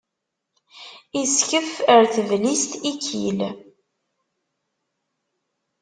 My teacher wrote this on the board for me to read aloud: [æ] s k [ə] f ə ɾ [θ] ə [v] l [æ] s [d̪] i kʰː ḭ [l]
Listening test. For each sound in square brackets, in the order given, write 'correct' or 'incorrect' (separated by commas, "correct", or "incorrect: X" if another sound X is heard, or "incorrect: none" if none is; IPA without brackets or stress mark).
incorrect: i, correct, correct, correct, incorrect: i, incorrect: t̪, correct